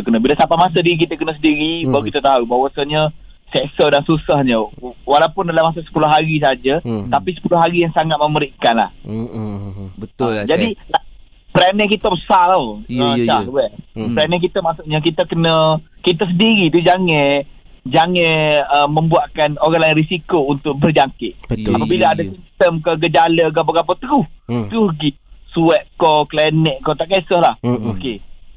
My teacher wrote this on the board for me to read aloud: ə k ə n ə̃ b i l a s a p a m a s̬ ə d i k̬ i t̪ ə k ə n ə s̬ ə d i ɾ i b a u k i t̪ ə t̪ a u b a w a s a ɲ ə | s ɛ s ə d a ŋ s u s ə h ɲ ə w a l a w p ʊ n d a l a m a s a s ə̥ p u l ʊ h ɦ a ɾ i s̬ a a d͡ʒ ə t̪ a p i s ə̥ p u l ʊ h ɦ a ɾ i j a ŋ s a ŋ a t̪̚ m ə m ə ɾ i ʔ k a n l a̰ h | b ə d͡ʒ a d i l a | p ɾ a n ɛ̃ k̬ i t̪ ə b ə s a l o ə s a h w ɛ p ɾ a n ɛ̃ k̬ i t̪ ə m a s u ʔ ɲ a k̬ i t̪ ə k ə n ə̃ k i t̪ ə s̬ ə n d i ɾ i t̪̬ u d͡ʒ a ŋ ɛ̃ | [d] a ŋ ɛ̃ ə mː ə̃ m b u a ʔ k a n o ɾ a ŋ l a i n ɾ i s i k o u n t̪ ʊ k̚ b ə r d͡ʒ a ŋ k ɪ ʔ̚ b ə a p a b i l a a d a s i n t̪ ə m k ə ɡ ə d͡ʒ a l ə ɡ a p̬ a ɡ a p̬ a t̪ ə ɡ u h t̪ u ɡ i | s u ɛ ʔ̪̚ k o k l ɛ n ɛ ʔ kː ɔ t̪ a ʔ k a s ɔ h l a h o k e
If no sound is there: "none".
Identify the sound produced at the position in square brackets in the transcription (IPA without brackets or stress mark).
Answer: d͡ʒ